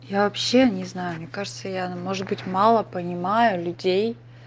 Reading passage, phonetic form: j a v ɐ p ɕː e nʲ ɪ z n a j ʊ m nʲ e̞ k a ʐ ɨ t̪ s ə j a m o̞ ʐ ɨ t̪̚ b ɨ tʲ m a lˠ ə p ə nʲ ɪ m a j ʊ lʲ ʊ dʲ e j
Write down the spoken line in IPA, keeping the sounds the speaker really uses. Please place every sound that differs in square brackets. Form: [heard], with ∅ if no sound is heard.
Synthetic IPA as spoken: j a v ɐ p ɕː e nʲ ɪ z n a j ʊ m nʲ e̞ k a ʐ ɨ t̪ s ə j a m o̞ ʐ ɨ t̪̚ b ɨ tʲ m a lˠ ə p ə nʲ ɪ m a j ʊ lʲ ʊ dʲ e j

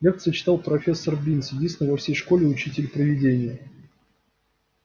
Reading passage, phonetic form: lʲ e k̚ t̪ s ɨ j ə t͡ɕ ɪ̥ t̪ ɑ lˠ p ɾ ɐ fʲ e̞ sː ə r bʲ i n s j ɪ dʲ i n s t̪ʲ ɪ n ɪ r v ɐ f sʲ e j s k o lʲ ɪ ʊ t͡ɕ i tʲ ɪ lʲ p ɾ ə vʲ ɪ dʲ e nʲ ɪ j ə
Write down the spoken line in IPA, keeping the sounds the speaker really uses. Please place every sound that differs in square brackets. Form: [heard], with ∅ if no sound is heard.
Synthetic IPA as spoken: lʲ e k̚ t̪ s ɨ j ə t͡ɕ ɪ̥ t̪ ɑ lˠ p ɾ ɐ fʲ e̞ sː ə r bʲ i n s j ɪ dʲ i n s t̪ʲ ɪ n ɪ [∅] v ɐ f sʲ e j [ʂ] k o lʲ ɪ ʊ t͡ɕ i tʲ ɪ lʲ p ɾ ə vʲ ɪ dʲ e nʲ ɪ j ə

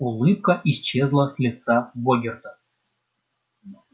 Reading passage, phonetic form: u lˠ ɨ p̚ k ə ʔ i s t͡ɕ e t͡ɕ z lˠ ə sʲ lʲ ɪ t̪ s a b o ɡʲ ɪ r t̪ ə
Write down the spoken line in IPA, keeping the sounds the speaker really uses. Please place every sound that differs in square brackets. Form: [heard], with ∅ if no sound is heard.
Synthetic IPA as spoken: u lˠ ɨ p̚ k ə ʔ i s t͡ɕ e [∅] z lˠ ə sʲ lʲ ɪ t̪ s a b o ɡʲ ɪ r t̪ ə

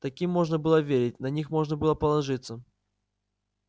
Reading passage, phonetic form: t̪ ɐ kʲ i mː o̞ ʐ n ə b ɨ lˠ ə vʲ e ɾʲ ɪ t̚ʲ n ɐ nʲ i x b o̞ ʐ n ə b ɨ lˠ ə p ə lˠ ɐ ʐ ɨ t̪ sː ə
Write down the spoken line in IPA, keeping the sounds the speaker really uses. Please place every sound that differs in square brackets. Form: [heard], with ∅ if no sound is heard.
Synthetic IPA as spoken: t̪ ɐ kʲ i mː o̞ ʐ n ə b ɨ lˠ ə vʲ e ɾʲ ɪ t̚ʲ n ɐ nʲ i x [m] o̞ ʐ n ə b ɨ lˠ ə p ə lˠ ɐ ʐ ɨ t̪ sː ə

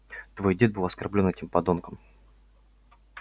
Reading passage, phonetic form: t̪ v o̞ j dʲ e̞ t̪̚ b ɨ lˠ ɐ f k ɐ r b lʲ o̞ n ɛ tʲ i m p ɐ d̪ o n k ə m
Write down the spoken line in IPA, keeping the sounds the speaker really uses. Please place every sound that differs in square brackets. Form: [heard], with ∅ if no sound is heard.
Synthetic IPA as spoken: t̪ v o̞ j dʲ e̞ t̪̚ b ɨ lˠ ɐ [s] k ɐ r b lʲ o̞ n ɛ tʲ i m p ɐ d̪ o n k ə m

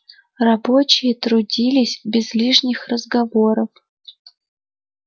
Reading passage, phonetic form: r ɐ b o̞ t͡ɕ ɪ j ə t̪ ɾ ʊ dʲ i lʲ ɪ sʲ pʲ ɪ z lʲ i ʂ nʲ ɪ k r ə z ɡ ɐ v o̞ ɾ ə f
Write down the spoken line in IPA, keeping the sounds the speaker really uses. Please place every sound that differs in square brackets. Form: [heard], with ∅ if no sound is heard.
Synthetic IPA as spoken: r ɐ b o̞ t͡ɕ ɪ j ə t̪ ɾ ʊ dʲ i lʲ ɪ sʲ [bʲ] ɪ z lʲ i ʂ nʲ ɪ [x] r ə z ɡ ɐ v o̞ ɾ ə f

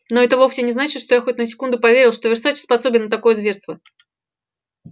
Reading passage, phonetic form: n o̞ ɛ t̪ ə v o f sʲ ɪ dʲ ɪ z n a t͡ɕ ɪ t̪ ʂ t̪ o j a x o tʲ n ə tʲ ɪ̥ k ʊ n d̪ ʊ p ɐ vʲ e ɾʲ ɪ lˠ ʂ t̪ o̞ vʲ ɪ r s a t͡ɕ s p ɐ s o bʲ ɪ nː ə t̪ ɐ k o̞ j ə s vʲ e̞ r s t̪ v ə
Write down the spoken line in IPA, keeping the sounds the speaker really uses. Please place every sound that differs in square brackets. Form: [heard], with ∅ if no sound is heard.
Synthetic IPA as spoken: n o̞ ɛ t̪ ə v o f sʲ ɪ [nʲ] ɪ z n a t͡ɕ ɪ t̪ ʂ t̪ o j a x o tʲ n ə [sʲ] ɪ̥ k [u] n d̪ ʊ p ɐ vʲ e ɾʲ ɪ lˠ ʂ t̪ o̞ vʲ ɪ r s a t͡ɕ s p ɐ s o bʲ ɪ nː ə t̪ ɐ k o̞ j ə [z] vʲ e̞ r s t̪ v ə

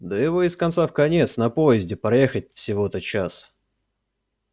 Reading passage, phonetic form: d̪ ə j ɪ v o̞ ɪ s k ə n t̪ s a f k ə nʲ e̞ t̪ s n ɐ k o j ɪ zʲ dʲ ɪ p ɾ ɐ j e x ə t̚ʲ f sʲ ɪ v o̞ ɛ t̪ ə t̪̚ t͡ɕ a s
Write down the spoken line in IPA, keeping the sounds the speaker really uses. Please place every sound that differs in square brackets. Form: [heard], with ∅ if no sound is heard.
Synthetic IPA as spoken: d̪ ə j ɪ v o̞ ɪ s k [ɐ] n t̪ s a f k [ɐ] nʲ e̞ t̪ s n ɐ [p] o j ɪ zʲ dʲ ɪ p ɾ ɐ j e x ə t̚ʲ f sʲ ɪ v o̞ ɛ t̪ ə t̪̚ t͡ɕ a s

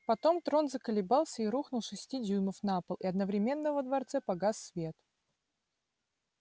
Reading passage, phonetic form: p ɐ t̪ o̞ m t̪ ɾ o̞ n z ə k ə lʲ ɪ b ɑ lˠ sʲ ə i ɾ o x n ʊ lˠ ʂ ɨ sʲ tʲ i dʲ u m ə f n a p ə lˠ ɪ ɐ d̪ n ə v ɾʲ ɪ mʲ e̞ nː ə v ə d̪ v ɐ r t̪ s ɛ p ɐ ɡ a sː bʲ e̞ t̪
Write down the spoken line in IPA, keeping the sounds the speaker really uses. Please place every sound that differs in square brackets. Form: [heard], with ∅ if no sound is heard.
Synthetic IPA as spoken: p ɐ t̪ o̞ m t̪ ɾ o̞ n z ə k ə lʲ ɪ b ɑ lˠ sʲ ə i ɾ [u] x n ʊ lˠ ʂ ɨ sʲ tʲ i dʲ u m ə f n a p ə lˠ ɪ ɐ d̪ n ə v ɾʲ ɪ mʲ e̞ nː ə v ə d̪ v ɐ r t̪ s ɛ p ɐ ɡ a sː [vʲ] e̞ t̪

